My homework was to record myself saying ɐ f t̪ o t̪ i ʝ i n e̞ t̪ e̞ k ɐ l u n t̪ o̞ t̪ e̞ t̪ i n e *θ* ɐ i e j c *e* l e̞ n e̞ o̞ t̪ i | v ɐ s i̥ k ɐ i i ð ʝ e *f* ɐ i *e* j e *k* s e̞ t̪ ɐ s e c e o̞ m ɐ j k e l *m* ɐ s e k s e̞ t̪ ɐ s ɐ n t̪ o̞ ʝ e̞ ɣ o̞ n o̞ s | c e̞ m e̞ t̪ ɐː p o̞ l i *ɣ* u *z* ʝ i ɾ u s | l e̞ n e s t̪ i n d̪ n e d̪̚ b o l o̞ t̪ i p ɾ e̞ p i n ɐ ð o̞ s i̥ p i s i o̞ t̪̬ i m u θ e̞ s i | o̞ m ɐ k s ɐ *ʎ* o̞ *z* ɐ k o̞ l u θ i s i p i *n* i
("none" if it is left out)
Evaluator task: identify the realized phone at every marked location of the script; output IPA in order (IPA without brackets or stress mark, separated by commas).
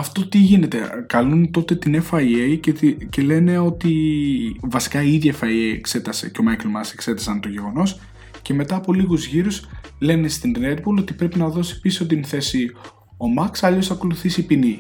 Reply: f, e, f, e, k, m, ɣ, z, ʎ, s, n